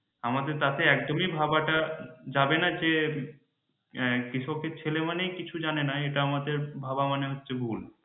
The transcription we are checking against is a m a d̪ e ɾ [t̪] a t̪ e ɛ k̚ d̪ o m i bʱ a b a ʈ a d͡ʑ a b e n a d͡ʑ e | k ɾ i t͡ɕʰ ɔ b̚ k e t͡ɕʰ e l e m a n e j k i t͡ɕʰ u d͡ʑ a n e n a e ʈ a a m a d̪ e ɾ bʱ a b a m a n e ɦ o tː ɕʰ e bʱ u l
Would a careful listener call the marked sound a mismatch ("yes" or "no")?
no